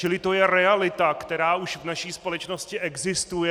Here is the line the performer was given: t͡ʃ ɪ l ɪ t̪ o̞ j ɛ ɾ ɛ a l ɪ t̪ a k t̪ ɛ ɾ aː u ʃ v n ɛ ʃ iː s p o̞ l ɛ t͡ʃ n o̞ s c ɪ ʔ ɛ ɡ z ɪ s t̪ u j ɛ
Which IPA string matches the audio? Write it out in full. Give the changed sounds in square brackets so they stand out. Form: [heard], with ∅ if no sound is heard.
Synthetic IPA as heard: t͡ʃ ɪ l ɪ t̪ o̞ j ɛ ɾ ɛ a l ɪ t̪ a k t̪ ɛ ɾ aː u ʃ v n [a] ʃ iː s p o̞ l ɛ t͡ʃ n o̞ s c ɪ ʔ ɛ ɡ z ɪ s t̪ u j ɛ